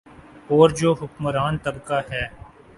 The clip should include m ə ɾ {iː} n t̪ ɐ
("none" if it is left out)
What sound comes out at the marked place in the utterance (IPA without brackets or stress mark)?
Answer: aː